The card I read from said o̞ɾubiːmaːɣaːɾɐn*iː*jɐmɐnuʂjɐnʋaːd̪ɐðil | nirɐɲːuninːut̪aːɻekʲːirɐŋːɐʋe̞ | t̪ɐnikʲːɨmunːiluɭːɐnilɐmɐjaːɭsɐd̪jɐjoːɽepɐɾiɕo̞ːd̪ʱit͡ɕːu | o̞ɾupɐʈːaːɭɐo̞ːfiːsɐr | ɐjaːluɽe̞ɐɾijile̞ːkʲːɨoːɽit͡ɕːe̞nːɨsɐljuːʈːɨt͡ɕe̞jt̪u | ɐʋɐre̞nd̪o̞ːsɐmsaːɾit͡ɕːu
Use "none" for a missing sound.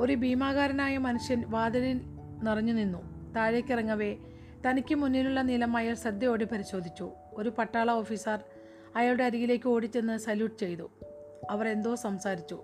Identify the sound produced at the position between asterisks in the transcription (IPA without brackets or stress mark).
aː